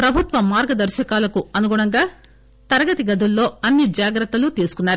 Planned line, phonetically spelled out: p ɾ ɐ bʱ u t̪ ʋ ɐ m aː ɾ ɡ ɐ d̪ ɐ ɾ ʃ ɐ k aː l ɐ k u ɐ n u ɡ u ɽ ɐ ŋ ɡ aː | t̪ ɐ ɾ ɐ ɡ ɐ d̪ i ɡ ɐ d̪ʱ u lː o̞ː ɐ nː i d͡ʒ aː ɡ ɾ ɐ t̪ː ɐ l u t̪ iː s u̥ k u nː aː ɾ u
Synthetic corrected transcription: p ɾ ɐ bʱ u t̪ ʋ ɐ m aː ɾ ɡ ɐ d̪ ɐ ɾ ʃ ɐ k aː l ɐ k u ɐ n u ɡ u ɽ ɐ ŋ ɡ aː | t̪ ɐ ɾ ɐ ɡ ɐ t̪ i ɡ ɐ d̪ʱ u lː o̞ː ɐ nː i d͡ʒ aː ɡ ɾ ɐ t̪ː ɐ l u t̪ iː s u̥ k u nː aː ɾ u